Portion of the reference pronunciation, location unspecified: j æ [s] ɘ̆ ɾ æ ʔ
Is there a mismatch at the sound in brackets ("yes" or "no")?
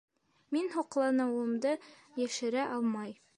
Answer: yes